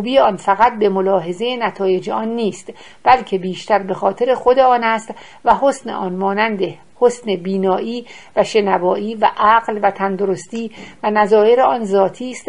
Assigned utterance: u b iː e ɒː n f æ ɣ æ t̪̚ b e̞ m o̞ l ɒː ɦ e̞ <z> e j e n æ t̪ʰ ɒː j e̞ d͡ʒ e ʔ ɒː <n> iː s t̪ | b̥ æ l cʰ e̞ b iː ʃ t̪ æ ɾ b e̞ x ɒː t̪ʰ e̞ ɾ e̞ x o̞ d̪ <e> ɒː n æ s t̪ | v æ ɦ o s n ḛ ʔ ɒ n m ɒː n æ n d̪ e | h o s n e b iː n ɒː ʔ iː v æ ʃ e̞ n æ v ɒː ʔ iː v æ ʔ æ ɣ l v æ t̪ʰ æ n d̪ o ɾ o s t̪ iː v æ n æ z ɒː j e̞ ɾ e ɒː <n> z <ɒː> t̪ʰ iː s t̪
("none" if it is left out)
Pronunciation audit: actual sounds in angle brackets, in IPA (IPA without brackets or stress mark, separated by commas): z, nː, e, n, ɒː